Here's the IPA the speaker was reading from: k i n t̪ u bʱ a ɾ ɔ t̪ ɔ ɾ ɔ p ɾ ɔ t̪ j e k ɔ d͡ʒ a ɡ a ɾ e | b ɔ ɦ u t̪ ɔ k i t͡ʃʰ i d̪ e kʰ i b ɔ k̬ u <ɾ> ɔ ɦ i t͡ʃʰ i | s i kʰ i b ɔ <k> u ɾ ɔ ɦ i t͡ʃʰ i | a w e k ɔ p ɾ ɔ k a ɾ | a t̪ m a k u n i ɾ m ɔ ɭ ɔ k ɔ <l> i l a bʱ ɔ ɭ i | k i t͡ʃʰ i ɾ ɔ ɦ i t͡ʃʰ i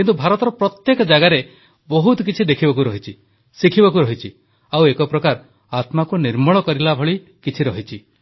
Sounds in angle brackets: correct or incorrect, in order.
correct, correct, incorrect

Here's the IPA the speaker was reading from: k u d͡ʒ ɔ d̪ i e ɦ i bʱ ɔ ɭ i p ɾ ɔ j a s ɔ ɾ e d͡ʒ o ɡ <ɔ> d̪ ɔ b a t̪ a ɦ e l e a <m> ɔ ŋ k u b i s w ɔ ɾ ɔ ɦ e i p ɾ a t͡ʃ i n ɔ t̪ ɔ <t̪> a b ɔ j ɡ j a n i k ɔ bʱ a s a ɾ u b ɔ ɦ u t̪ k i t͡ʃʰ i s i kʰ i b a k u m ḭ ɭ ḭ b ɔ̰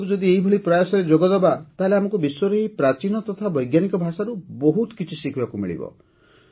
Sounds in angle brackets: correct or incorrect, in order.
correct, correct, incorrect

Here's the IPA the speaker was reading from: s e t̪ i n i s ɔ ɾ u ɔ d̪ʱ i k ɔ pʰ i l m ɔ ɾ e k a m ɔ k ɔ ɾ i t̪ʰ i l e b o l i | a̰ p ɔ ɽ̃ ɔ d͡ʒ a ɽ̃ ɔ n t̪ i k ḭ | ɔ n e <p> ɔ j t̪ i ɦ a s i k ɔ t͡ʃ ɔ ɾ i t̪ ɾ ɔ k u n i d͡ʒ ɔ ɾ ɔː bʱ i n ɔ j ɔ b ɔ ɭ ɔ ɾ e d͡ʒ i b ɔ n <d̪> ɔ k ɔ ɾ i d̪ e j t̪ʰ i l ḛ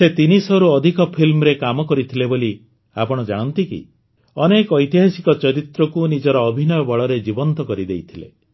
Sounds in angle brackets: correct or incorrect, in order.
incorrect, incorrect

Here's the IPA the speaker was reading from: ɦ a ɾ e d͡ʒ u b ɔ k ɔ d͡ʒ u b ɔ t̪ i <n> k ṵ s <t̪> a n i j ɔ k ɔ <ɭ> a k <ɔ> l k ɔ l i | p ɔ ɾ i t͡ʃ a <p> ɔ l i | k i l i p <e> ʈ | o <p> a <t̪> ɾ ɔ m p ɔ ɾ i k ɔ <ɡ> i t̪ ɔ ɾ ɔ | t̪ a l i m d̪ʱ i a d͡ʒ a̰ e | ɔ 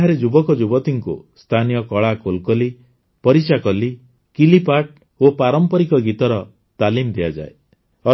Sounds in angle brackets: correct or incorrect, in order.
incorrect, incorrect, correct, incorrect, incorrect, incorrect, correct, incorrect, correct

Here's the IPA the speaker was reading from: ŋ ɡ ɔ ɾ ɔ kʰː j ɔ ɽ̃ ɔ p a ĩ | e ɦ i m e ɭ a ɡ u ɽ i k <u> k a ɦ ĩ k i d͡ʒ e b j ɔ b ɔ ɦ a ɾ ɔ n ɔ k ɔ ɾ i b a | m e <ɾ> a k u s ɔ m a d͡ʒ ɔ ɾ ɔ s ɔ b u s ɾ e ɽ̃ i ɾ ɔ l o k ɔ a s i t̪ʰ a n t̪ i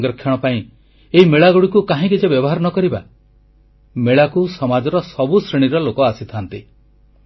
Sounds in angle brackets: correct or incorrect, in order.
correct, incorrect

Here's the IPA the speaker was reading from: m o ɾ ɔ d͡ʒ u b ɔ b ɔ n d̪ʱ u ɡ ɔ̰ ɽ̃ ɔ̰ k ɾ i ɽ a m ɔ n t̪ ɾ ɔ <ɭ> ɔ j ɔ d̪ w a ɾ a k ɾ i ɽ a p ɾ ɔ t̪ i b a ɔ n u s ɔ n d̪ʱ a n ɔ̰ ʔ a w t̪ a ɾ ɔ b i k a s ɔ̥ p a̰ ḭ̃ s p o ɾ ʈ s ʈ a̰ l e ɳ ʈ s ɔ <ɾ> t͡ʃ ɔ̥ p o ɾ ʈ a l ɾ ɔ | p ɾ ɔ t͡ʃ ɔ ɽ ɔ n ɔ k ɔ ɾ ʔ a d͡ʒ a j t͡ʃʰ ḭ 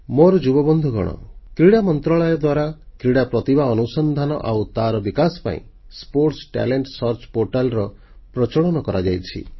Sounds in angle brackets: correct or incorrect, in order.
correct, correct

